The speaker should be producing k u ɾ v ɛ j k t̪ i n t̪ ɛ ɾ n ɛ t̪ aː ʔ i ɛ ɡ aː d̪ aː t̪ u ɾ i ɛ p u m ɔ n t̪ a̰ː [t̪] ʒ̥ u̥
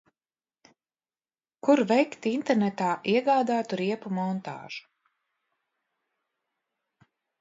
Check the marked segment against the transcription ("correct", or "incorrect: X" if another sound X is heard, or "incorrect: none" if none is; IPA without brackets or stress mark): incorrect: none